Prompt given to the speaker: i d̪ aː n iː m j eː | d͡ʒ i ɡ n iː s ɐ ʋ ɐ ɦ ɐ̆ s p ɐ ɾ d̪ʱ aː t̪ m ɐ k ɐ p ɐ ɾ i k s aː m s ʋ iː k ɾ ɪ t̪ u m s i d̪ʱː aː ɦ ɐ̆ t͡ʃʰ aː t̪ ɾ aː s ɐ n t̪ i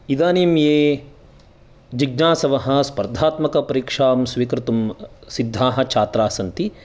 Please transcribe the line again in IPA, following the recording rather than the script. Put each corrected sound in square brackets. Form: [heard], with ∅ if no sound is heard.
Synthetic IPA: i d̪ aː n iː m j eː | d͡ʒ i ɡ n [aː] s ɐ ʋ ɐ ɦ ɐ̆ s p ɐ ɾ d̪ʱ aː t̪ m ɐ k ɐ p ɐ ɾ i k [ʂ] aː m s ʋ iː k ɾ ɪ t̪ u m s i d̪ʱː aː ɦ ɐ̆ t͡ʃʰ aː t̪ ɾ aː s ɐ n t̪ i